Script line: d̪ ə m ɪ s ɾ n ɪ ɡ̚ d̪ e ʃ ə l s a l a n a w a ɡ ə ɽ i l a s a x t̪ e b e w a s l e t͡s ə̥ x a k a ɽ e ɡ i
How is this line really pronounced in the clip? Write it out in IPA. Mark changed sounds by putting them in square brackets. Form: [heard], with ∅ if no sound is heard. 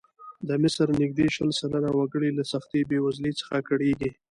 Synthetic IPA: d̪ ə m ɪ s ɾ n ɪ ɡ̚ d̪ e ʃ ə l s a l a n a w a ɡ ə ɽ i l a s a x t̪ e b e w a [z] l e t͡s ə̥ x a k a ɽ e ɡ i